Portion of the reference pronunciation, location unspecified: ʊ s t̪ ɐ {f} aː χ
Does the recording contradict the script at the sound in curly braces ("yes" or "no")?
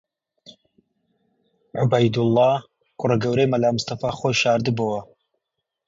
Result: no